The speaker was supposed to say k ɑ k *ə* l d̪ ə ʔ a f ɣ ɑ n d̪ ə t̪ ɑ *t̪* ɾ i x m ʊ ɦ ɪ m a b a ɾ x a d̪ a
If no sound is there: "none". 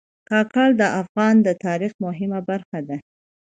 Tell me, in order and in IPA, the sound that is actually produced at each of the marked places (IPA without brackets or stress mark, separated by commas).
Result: ɑ, none